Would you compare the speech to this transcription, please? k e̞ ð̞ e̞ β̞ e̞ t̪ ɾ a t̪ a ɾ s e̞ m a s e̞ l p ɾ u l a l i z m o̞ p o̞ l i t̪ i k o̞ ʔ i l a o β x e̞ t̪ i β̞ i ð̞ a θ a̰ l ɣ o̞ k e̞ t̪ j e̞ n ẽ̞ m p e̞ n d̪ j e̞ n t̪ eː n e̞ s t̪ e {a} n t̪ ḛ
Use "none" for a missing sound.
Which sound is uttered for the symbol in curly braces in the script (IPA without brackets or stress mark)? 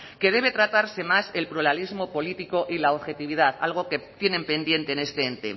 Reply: e